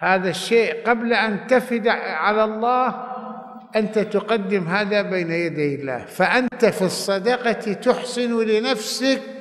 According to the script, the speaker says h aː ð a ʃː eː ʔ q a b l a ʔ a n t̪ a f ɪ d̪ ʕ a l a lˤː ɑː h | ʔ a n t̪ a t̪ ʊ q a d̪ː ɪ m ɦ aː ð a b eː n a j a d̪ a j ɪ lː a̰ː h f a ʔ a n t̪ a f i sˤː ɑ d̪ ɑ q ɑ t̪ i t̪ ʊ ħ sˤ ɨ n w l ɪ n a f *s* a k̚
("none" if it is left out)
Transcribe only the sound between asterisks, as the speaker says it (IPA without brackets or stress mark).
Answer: s